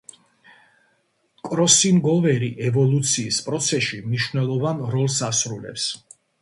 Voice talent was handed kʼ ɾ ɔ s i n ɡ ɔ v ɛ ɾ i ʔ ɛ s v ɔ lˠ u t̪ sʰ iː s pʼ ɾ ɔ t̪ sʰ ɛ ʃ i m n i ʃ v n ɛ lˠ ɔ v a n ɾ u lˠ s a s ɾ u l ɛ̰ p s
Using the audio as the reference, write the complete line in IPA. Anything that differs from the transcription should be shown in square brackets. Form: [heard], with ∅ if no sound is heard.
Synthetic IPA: kʼ ɾ ɔ s i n ɡ ɔ v ɛ ɾ i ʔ ɛ [∅] v ɔ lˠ u t̪ sʰ iː s pʼ ɾ ɔ t̪ sʰ ɛ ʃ i m n i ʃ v n ɛ lˠ ɔ v a n ɾ [ɔ] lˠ s a s ɾ u l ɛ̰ p s